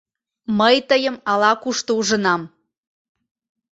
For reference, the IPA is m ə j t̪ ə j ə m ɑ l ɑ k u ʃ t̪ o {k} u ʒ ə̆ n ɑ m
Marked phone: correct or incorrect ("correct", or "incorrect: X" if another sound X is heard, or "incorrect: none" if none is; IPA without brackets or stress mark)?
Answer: incorrect: none